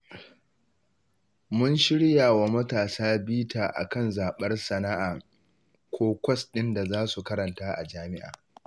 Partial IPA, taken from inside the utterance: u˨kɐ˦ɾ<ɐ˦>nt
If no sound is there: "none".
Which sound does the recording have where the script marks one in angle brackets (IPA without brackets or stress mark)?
ɐ˨